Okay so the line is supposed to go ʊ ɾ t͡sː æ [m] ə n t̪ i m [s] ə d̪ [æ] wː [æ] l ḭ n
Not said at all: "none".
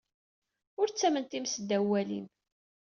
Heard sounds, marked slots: m, s, æ, æ

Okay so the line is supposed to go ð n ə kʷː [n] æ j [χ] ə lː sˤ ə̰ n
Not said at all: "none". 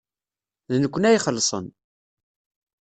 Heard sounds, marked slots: n, χ

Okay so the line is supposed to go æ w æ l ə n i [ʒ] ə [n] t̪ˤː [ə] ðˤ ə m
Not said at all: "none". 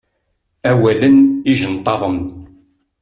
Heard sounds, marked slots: ʒ, n, ɑ

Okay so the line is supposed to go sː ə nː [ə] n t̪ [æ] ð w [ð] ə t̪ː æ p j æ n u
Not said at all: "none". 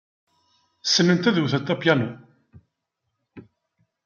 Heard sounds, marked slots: ə, æ, θ

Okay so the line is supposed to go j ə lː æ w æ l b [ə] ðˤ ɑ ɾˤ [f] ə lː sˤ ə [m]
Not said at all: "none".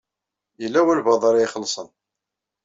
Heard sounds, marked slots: ɑ, χ, n

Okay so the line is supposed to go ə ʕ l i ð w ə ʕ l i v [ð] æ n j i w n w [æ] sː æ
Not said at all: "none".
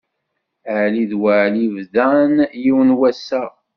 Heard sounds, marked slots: ð, æ

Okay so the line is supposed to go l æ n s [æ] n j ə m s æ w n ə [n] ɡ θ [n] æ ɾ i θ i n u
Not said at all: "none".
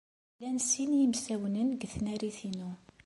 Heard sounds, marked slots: i, n, n

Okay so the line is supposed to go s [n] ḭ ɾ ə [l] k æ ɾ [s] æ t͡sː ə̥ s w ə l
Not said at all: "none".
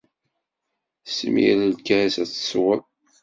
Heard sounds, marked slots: m, l, s

